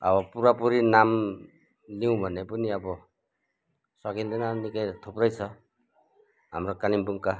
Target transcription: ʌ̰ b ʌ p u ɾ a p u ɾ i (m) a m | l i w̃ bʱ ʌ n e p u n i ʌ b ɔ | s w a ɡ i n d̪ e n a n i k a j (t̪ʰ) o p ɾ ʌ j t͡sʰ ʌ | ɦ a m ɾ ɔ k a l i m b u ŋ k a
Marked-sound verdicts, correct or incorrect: incorrect: n, correct

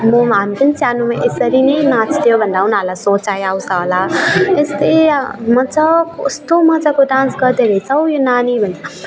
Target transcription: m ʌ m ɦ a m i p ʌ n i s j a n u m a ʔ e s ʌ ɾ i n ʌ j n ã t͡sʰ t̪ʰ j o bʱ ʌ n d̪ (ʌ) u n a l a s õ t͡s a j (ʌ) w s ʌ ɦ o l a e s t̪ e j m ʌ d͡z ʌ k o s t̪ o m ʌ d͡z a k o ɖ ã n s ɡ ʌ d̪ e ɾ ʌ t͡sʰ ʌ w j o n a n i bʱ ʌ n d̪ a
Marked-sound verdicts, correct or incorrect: incorrect: a, incorrect: a

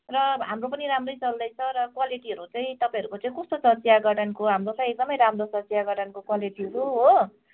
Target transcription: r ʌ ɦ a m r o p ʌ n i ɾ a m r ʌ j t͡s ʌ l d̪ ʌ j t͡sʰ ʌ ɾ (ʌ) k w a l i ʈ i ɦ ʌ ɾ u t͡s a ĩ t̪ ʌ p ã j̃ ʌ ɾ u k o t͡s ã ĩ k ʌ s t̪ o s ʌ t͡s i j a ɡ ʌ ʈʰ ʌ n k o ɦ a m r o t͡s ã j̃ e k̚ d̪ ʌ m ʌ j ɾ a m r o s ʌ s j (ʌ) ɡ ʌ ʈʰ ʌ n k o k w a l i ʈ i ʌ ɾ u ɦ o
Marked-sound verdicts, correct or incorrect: correct, incorrect: a

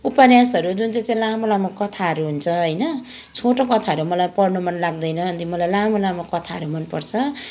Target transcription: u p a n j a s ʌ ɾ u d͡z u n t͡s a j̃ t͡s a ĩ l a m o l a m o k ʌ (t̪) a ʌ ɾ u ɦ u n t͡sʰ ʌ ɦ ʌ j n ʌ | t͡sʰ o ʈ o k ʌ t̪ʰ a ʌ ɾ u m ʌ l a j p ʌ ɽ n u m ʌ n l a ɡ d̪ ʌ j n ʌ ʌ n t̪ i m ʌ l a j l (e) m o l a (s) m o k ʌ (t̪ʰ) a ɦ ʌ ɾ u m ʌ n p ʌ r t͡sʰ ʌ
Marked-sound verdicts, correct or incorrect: incorrect: t̪ʰ, incorrect: a, incorrect: none, correct

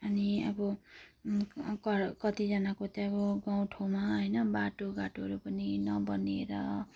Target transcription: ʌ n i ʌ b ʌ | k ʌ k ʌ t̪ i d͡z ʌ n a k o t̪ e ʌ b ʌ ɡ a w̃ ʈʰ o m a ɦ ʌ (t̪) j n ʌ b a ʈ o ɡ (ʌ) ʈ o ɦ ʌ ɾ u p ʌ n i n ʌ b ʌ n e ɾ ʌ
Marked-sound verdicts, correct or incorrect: incorrect: none, incorrect: a

